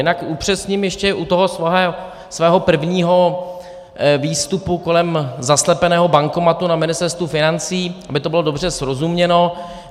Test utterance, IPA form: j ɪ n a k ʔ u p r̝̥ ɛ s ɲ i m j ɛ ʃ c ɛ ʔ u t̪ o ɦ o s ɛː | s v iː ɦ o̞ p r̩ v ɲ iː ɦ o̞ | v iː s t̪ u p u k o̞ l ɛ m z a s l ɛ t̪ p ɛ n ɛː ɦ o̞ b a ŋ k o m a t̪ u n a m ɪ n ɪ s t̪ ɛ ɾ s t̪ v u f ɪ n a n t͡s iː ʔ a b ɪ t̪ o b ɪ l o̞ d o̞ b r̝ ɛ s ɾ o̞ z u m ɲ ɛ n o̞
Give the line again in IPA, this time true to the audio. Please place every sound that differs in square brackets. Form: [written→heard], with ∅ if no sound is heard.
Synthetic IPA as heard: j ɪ n a k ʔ u p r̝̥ ɛ s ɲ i m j ɛ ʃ c ɛ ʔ u t̪ o ɦ o s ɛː | s v [iː→ɛː] ɦ o̞ p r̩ v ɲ iː ɦ o̞ | v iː s t̪ u p u k o̞ l ɛ m z a s l ɛ [t̪→∅] p ɛ n ɛː ɦ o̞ b a ŋ k o m a t̪ u n a m ɪ n ɪ s t̪ ɛ ɾ s t̪ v u f ɪ n a n t͡s iː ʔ a b ɪ t̪ o b ɪ l o̞ d o̞ b r̝ ɛ s ɾ o̞ z u m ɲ ɛ n o̞